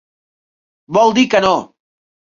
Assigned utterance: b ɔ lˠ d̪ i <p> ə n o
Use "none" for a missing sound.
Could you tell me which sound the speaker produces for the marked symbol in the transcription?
k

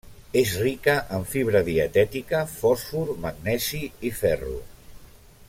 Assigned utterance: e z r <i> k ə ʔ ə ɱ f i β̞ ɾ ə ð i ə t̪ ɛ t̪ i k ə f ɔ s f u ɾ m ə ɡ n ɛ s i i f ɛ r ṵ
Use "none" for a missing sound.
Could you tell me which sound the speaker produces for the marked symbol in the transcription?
i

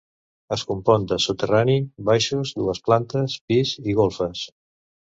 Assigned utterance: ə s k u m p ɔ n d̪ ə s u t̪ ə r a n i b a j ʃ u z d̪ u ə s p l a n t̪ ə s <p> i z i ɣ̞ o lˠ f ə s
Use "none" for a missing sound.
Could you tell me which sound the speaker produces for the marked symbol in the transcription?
p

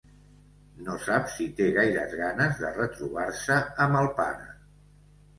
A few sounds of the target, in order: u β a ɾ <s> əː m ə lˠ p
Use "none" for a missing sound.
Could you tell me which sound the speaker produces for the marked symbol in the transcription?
s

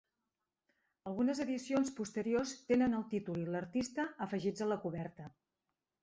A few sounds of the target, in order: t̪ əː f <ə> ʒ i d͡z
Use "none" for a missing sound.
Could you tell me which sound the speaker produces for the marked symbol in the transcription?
ə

